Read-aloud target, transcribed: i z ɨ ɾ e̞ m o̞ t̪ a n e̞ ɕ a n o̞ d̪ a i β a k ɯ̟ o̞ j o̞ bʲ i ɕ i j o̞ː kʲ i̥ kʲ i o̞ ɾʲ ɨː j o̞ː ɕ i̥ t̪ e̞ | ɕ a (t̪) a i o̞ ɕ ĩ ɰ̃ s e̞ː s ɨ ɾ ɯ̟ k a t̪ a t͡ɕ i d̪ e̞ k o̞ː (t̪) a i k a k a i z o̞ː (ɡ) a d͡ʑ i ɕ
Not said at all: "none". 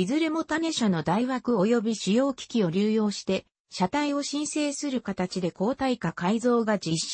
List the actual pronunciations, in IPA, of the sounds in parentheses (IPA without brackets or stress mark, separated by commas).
t̪, t̪, ɡ